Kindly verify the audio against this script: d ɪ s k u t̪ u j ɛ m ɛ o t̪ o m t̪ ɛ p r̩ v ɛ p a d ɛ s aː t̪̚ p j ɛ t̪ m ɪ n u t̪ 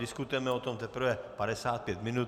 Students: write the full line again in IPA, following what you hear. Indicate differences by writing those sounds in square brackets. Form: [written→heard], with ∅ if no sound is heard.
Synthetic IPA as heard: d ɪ s k u t̪ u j ɛ m ɛ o t̪ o m t̪ ɛ p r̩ v ɛ p a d ɛ s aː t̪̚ p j ɛ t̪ m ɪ n u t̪